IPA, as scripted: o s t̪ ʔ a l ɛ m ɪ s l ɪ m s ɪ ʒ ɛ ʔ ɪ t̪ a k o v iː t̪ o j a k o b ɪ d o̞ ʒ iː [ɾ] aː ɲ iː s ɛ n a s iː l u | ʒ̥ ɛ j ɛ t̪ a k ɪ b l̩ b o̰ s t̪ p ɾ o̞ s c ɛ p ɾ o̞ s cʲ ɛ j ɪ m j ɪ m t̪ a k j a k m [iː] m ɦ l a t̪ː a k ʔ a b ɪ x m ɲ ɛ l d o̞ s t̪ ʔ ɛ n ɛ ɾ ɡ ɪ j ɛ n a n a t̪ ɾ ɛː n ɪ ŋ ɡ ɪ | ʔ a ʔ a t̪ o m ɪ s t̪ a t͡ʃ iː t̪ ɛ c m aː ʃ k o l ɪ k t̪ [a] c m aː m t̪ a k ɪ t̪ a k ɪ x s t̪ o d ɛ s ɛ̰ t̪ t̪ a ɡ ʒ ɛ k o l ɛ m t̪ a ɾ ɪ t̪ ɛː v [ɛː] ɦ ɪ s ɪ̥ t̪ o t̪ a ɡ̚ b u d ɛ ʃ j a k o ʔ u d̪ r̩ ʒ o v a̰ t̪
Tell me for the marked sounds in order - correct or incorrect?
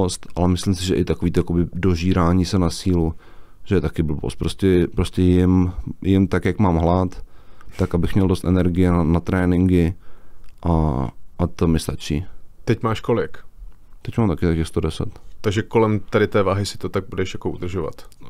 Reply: correct, incorrect, incorrect, incorrect

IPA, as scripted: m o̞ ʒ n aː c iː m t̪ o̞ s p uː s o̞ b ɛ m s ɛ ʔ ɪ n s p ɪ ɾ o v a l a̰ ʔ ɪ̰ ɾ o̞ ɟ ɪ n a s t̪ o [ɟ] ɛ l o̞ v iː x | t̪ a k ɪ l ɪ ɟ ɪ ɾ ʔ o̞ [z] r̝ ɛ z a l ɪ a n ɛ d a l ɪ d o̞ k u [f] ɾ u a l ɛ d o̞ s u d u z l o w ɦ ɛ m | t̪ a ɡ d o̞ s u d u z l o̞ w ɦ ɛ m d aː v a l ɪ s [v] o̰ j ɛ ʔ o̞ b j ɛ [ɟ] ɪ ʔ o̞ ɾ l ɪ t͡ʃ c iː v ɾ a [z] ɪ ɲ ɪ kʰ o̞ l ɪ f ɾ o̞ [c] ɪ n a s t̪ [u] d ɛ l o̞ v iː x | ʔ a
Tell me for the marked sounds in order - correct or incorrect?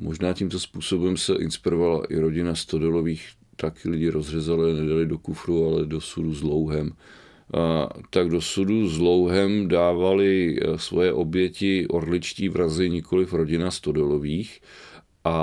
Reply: incorrect, correct, correct, correct, incorrect, correct, incorrect, incorrect

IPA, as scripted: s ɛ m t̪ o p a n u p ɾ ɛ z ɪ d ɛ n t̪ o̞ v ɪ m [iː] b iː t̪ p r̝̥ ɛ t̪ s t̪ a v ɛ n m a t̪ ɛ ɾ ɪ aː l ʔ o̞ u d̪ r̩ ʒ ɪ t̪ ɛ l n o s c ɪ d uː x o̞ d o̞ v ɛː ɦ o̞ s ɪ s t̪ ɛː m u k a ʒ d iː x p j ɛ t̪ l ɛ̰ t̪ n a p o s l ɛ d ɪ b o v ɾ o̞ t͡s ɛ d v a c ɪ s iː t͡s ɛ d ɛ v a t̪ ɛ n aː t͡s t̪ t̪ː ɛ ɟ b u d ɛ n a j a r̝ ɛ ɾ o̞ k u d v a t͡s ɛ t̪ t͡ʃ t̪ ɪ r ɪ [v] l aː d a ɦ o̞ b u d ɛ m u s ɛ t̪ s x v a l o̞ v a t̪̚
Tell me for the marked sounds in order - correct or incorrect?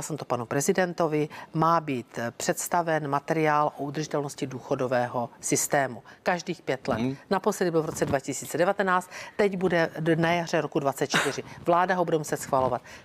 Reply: incorrect, correct

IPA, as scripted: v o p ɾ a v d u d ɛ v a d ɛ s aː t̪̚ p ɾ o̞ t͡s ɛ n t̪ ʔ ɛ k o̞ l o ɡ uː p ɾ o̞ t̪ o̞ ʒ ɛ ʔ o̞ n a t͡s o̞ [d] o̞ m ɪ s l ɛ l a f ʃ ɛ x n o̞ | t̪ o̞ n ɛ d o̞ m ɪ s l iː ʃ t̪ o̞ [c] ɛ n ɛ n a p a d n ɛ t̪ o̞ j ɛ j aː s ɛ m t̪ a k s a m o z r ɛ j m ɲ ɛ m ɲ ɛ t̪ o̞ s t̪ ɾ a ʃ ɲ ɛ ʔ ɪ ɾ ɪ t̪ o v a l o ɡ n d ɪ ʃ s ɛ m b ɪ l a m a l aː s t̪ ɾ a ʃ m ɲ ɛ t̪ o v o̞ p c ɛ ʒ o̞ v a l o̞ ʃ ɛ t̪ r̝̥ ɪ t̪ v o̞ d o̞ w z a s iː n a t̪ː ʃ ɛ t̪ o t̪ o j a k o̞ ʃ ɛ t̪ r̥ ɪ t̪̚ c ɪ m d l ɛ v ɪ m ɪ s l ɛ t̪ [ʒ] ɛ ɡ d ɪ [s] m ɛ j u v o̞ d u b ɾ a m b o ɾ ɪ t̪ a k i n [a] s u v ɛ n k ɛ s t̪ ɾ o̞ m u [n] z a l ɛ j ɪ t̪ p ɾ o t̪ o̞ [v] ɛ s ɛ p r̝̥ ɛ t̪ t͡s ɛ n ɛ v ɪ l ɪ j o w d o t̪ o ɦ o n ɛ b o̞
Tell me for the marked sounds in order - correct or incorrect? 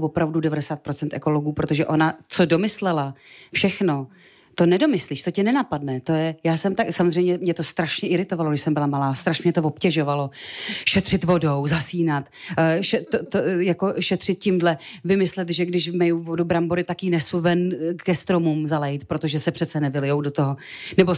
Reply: correct, correct, correct, incorrect, incorrect, incorrect, incorrect

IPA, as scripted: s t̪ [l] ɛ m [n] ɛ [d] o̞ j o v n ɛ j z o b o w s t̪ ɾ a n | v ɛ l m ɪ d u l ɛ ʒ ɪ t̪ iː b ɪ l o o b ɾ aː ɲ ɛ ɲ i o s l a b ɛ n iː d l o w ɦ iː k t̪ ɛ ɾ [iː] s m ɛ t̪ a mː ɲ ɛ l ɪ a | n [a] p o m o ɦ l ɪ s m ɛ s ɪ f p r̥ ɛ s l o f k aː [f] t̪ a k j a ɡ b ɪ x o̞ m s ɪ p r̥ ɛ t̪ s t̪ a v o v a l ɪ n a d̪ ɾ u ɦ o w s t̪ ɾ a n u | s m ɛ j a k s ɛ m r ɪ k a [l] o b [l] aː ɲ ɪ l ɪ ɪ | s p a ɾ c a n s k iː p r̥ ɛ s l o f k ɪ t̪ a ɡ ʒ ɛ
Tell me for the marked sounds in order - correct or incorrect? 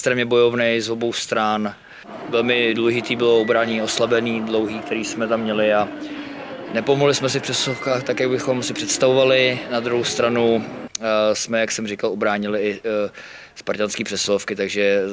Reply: incorrect, incorrect, incorrect, correct, incorrect, incorrect, correct, incorrect

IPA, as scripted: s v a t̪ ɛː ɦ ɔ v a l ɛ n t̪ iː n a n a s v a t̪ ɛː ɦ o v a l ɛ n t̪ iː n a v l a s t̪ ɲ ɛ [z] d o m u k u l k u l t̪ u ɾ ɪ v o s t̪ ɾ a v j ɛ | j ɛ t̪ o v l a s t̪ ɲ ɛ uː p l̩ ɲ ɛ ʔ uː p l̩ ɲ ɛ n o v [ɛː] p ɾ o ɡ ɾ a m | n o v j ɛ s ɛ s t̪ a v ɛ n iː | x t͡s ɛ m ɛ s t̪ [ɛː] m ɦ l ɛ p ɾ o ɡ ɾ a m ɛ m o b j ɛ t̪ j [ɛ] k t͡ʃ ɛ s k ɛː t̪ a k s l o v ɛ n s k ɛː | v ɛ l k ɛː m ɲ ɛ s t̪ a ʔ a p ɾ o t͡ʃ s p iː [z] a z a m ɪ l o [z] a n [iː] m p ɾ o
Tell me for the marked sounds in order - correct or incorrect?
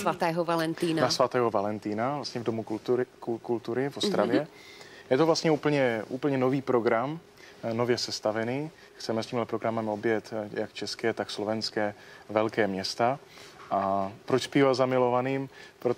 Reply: incorrect, incorrect, incorrect, incorrect, incorrect, incorrect, correct

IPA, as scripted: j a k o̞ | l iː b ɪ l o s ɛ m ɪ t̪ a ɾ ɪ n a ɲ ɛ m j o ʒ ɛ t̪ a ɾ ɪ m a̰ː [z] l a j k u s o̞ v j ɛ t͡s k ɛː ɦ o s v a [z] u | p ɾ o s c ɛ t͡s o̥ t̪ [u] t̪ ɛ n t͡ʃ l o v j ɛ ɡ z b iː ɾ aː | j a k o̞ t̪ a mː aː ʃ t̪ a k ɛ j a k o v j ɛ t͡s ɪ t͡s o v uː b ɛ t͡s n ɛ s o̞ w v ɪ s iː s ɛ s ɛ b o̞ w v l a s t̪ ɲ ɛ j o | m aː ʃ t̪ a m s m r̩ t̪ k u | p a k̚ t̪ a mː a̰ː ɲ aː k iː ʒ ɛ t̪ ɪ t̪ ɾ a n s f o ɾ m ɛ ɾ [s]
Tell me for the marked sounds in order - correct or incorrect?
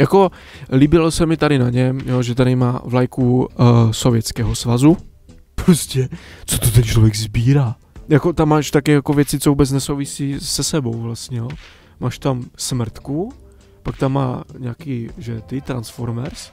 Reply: incorrect, correct, incorrect, correct

